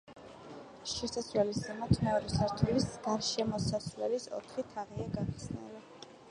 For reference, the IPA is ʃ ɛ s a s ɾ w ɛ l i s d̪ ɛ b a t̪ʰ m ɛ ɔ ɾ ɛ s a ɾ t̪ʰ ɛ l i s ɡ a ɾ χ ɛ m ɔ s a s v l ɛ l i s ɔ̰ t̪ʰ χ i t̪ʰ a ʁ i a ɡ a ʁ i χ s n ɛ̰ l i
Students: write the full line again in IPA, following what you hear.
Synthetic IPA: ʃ ɛ s a s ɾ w ɛ l i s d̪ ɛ m a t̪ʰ m ɛ ɔ ɾ ɛ s a ɾ t̪ʰ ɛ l i s ɡ a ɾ ʃ ɛ m ɔ s a s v l ɛ l i s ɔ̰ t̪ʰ χ i t̪ʰ a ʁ i a ɡ a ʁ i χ s n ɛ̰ l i